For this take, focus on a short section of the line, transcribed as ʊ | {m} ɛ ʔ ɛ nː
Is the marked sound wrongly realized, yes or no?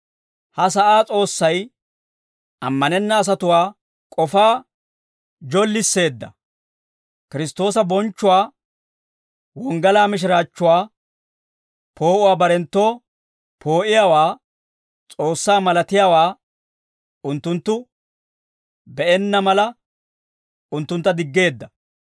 yes